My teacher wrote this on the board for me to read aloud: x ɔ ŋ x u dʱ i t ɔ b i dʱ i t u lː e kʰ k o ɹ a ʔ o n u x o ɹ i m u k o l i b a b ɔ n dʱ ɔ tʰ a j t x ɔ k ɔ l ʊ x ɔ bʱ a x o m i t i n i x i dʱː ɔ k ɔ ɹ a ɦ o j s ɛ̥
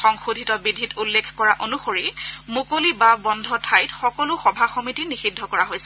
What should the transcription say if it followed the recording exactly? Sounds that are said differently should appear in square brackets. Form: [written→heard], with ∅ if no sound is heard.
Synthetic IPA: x ɔ ŋ x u dʱ i t ɔ b i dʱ i t u lː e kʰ k [o→ɔ] ɹ a ʔ o n u x o ɹ i m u k o l i b a b ɔ n dʱ ɔ tʰ a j t x ɔ k ɔ l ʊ x ɔ bʱ a x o m i t i n i x i dʱː ɔ k ɔ ɹ a ɦ o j s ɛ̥